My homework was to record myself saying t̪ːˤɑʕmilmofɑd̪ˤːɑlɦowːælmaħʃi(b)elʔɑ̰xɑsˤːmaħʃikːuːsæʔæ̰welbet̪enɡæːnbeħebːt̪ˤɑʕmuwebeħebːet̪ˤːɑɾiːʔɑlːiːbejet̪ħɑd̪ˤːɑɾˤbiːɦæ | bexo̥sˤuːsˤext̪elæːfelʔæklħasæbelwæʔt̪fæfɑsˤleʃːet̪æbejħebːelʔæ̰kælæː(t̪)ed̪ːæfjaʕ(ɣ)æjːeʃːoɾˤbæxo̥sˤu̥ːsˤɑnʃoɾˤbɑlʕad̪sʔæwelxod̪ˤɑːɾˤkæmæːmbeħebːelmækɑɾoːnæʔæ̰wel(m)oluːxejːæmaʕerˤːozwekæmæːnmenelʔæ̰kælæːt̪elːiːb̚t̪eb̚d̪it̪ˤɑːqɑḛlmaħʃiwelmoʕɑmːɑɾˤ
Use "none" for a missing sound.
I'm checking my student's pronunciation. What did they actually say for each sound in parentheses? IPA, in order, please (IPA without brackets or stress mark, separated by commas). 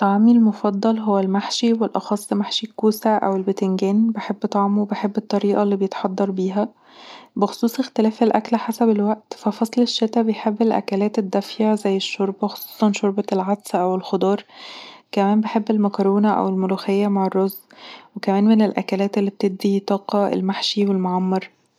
w, t̪, z, m